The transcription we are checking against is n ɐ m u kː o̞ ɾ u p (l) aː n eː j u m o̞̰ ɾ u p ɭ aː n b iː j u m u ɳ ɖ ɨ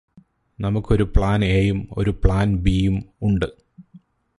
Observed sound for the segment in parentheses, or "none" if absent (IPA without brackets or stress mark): ɭ